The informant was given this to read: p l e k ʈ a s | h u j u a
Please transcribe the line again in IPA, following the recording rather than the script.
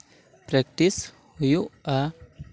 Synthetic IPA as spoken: p ɾ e k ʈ i s | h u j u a